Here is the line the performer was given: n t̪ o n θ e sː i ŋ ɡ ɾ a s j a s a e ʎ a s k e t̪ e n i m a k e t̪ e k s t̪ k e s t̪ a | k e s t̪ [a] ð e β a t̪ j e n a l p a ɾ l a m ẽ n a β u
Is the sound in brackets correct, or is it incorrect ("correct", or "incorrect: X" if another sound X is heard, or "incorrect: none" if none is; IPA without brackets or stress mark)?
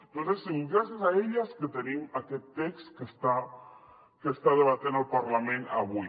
correct